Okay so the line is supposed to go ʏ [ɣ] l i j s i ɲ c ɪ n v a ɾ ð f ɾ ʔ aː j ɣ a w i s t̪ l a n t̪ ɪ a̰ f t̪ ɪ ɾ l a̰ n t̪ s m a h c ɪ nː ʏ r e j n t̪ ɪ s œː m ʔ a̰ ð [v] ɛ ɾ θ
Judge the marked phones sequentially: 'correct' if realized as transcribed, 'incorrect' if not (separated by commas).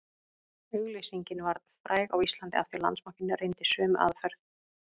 correct, incorrect